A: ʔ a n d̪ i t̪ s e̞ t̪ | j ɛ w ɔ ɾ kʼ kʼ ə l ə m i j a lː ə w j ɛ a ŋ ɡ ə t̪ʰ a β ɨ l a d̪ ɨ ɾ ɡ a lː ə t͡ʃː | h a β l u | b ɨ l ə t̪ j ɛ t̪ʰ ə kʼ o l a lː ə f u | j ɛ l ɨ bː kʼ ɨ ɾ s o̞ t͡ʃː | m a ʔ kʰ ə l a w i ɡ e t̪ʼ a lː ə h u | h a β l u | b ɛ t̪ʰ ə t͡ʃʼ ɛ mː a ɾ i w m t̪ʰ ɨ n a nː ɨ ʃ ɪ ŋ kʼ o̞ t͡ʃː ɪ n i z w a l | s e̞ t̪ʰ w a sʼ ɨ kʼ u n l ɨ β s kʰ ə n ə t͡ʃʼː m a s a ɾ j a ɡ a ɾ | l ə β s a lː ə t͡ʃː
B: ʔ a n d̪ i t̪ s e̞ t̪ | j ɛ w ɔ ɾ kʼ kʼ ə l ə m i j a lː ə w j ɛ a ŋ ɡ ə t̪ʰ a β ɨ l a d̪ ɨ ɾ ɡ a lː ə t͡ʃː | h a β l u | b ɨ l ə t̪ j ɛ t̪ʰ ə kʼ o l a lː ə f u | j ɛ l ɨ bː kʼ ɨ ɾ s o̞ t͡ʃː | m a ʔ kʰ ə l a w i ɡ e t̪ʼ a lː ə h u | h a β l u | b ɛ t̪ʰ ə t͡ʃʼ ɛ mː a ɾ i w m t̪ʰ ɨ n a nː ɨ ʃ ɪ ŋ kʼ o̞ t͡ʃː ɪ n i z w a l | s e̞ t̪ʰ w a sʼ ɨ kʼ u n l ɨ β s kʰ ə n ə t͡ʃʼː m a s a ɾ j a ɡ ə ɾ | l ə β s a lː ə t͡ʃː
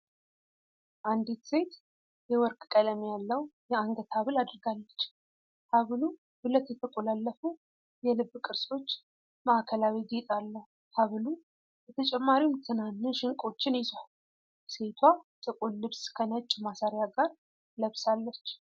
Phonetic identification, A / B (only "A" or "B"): A